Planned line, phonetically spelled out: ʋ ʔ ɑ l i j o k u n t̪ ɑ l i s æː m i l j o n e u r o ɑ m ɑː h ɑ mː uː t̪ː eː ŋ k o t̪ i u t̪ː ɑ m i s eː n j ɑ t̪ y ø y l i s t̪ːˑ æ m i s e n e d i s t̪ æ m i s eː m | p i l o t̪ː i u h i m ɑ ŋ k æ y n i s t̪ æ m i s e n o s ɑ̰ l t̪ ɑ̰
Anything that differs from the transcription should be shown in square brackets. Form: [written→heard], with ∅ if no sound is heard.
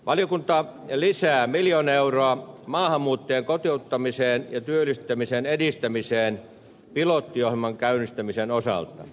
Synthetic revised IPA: ʋ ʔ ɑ l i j o k u n t̪ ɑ l i s æː m i l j o n e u r o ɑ m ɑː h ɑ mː uː t̪ː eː ŋ k o t̪ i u t̪ː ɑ m i s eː n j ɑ t̪ y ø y l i s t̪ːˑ æ m i s e n e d i s t̪ æ m i s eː [m→n] | p i l o t̪ː i [u→o] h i m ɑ ŋ k æ y n i s t̪ æ m i s e n o s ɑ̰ l t̪ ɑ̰

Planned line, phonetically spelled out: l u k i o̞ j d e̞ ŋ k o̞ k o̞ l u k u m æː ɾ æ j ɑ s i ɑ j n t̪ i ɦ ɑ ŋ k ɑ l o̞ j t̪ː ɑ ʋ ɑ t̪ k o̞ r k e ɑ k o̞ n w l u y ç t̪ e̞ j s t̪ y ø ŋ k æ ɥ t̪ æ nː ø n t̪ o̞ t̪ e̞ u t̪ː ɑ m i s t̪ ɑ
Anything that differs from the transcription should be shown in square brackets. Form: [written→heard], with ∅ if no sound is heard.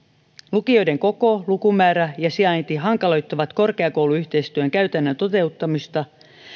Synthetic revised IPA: l u k i o̞ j d e̞ ŋ k o̞ k o̞ l u k u m æː ɾ æ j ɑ s i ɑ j n t̪ i ɦ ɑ ŋ k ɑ l o̞ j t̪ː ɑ ʋ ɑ t̪ k o̞ r k e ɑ k o̞ [n→∅] w l u y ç t̪ e̞ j s t̪ y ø ŋ k æ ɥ t̪ æ nː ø n t̪ o̞ t̪ e̞ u t̪ː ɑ m i s t̪ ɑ

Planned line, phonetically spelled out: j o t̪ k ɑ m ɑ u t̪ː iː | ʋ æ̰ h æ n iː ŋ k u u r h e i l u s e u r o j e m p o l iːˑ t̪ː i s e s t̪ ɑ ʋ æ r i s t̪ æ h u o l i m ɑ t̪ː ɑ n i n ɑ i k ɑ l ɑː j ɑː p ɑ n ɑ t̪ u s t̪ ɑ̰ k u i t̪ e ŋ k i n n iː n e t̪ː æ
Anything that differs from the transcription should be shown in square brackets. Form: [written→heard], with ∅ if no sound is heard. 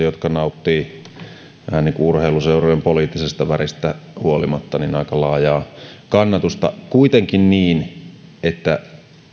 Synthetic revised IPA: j o t̪ k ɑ [m→n] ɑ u t̪ː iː | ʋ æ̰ h æ n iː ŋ k u u r h e i l u s e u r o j e m p o l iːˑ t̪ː i s e s t̪ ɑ ʋ æ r i s t̪ æ h u o l i m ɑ t̪ː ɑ n i n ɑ i k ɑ l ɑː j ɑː [p→k] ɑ [n→nː] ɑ t̪ u s t̪ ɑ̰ k u i t̪ e ŋ k i n n iː n e t̪ː æ

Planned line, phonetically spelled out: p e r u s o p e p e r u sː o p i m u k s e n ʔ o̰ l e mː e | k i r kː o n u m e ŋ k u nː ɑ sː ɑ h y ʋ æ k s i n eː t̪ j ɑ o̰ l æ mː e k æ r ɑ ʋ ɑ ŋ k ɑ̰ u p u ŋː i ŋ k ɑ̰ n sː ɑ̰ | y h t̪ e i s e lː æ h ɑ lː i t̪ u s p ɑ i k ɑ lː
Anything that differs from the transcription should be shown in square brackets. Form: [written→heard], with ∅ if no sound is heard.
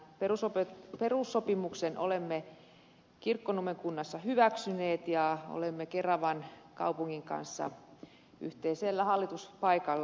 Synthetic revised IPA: p e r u s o p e p e r u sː o p i m u k s e n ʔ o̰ l e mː e | k i r kː o n u m e ŋ k u nː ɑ sː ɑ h y ʋ æ k s [i→y] n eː t̪ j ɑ o̰ l [æ→e] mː e k [æ→e] r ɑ ʋ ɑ [ŋ→n] k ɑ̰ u p u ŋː i ŋ k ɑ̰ n sː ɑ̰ | y h t̪ e i s e lː æ h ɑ lː i t̪ u s p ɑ i k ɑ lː

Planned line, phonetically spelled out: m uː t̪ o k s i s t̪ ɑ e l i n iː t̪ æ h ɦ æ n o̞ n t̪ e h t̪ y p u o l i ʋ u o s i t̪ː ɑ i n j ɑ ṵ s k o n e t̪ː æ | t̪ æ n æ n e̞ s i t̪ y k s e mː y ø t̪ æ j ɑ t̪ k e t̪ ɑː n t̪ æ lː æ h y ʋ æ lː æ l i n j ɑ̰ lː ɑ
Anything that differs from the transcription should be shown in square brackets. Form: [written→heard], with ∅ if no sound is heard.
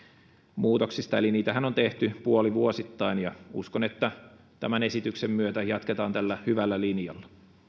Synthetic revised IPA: m uː t̪ o k s i s t̪ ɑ e l i n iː t̪ æ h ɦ æ n o̞ n t̪ e h t̪ y p u o l i ʋ u o s i t̪ː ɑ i n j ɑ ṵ s k o n e t̪ː æ | t̪ æ [n→m] æ n e̞ s i t̪ y k s e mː y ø t̪ æ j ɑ t̪ k e t̪ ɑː n t̪ æ lː æ h y ʋ æ lː æ l i n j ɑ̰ lː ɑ

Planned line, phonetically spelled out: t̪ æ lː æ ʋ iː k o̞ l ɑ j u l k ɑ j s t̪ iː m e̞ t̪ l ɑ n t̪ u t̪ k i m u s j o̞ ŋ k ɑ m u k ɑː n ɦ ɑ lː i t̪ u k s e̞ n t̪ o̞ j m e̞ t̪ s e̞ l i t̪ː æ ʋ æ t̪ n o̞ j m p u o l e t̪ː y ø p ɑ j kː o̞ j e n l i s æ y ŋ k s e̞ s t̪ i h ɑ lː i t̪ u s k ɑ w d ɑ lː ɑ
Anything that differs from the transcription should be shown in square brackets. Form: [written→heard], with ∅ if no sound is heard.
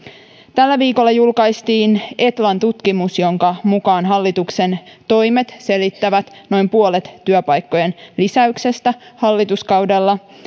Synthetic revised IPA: t̪ æ lː æ ʋ iː k o̞ [l→lː] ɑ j u l k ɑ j s t̪ iː [m→n] e̞ t̪ l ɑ n t̪ u t̪ k i m u s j o̞ ŋ k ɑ m u k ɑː n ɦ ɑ lː i t̪ u k s e̞ n t̪ o̞ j m e̞ t̪ s e̞ l i t̪ː æ ʋ æ t̪ n o̞ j m p u o l e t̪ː y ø p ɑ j kː o̞ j e n l i s æ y [ŋ→∅] k s e̞ s t̪ [i→æ] h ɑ lː i t̪ u s k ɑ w d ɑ lː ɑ

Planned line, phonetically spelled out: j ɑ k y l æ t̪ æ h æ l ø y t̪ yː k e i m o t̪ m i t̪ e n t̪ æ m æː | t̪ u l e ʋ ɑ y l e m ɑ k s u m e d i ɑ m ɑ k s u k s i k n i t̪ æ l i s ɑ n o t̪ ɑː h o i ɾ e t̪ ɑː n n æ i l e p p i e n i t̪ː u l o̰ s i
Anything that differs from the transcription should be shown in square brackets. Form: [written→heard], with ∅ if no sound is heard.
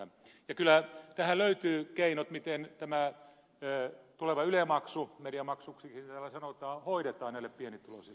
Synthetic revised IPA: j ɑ k y l æ t̪ æ h æ l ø y t̪ yː k e i [m→n] o t̪ m i t̪ e n t̪ æ m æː | t̪ u l e ʋ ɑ y l e m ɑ k s u m e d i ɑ m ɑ k s u k s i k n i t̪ æ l [i→æ] s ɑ n o t̪ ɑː h o i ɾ e t̪ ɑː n n æ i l e p p i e n i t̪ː u l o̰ s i

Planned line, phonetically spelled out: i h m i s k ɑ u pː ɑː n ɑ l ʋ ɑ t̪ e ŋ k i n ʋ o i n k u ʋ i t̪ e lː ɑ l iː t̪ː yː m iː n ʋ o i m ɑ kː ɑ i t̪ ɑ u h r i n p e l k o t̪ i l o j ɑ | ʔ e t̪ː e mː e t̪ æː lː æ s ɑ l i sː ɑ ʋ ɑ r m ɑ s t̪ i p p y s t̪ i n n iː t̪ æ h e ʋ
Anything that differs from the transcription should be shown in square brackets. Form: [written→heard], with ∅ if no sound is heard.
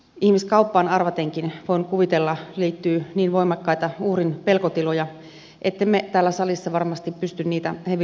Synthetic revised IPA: i h m i s k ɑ u pː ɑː n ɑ [l→r] ʋ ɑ t̪ e ŋ k i n ʋ o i n k u ʋ i t̪ e lː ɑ l iː t̪ː yː [m→n] iː n ʋ o i m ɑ kː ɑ i t̪ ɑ u h r i n p e l k o t̪ i l o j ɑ | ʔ e t̪ː e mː e t̪ æː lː æ s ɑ l i sː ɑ ʋ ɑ r m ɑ s t̪ i p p y s t̪ [i→y] n n iː t̪ æ h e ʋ

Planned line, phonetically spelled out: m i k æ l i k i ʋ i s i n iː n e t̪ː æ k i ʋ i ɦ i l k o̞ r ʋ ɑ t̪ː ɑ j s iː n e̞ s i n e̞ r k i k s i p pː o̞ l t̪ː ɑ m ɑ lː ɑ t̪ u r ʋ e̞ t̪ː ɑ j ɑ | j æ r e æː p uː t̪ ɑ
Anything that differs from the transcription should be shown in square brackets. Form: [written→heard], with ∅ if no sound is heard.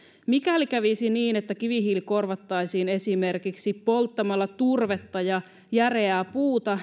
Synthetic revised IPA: m i k æ l i k [i→æ] ʋ i s i n iː n e t̪ː æ k i ʋ i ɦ i l k o̞ r ʋ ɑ t̪ː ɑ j s iː n e̞ s i [n→m] e̞ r k i k s i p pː o̞ l t̪ː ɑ m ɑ lː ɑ t̪ u r ʋ e̞ t̪ː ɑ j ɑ | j æ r e æː p uː t̪ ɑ

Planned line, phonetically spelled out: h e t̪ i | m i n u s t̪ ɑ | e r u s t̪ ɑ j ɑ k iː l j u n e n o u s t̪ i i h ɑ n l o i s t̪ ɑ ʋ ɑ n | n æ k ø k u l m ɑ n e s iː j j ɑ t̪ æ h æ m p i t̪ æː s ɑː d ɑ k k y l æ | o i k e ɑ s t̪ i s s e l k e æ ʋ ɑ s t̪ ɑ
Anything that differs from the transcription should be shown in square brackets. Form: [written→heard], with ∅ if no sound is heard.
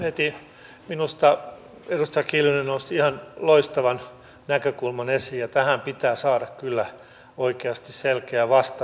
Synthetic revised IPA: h e t̪ i | m i n u s t̪ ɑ | e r u s t̪ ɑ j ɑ k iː l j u n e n o u s t̪ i i h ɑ n l o i s t̪ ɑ ʋ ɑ n | n æ k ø k u l m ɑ n e s iː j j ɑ t̪ æ h æ m p i t̪ æː s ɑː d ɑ k k y [l→lː] æ | o i k e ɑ s t̪ i s s e l k e æ ʋ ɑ s t̪ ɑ

